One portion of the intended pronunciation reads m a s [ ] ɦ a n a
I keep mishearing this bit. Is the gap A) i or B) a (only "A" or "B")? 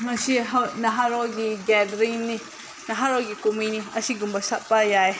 A